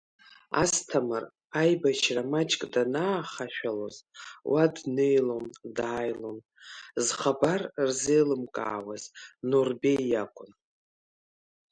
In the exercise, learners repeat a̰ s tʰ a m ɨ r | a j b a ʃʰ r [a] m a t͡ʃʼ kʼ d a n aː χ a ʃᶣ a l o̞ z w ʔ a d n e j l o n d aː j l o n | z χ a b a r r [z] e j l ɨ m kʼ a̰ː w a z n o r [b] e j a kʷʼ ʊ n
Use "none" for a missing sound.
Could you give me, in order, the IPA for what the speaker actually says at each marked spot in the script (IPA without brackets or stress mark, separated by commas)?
a, z, b